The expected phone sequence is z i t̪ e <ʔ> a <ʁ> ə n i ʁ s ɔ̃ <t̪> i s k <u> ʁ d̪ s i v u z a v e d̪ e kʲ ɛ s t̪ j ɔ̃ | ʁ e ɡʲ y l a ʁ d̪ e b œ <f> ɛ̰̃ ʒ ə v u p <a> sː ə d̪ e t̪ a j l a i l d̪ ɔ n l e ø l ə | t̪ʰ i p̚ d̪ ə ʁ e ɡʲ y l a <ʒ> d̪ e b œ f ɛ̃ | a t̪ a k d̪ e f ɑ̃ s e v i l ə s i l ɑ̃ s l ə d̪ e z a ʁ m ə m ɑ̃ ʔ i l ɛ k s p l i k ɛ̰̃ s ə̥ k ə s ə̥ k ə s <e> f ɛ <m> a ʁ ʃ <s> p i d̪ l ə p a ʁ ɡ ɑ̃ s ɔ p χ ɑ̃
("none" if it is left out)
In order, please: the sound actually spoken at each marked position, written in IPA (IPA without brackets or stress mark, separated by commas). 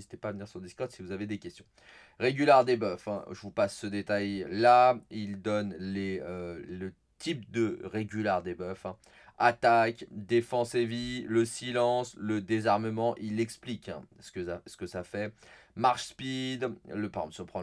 p, v, d̪, ɔ, f, a, ʁ, a, m, s